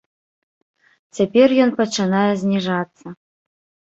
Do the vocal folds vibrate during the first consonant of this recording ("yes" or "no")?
no